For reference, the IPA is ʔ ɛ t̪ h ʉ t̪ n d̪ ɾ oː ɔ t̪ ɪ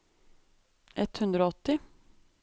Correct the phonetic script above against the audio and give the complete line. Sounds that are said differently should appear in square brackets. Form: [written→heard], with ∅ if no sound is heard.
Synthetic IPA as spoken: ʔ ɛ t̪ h ʉ [t̪→∅] n d̪ ɾ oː ɔ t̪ ɪ

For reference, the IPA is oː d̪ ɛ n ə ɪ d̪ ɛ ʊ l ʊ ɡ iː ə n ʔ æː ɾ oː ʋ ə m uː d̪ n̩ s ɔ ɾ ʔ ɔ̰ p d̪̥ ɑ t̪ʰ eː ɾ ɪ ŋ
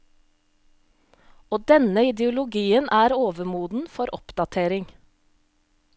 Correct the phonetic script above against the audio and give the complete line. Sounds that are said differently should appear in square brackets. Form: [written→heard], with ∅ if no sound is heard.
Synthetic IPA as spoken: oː d̪ ɛ n ə ɪ d̪ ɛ ʊ l ʊ ɡ iː ə n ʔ æː ɾ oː ʋ ə m uː d̪ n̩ [s→f] ɔ ɾ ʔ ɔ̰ p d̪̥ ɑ t̪ʰ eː ɾ ɪ ŋ

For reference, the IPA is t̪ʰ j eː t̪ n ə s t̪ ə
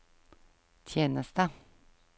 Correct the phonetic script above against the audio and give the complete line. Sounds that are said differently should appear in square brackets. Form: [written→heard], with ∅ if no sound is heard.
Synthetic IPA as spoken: t̪ʰ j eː [t̪→∅] n ə s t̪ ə

